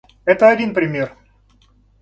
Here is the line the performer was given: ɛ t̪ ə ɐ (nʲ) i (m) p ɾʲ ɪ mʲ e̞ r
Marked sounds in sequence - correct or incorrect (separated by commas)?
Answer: incorrect, incorrect